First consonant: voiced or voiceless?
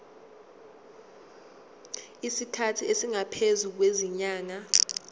voiceless